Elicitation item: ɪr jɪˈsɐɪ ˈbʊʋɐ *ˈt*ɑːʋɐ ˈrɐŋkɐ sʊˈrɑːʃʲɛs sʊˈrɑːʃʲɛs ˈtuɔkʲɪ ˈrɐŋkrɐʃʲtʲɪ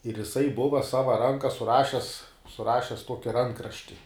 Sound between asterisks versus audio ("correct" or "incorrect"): incorrect